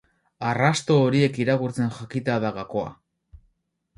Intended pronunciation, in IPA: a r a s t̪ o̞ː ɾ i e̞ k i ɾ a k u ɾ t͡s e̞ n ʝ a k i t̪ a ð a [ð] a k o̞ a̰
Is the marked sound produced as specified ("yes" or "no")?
no